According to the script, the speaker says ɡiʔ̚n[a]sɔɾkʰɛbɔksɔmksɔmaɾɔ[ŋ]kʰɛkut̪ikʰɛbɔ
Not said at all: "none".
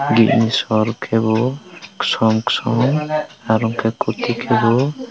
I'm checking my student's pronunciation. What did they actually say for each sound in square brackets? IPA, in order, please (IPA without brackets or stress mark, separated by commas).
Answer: i, ŋ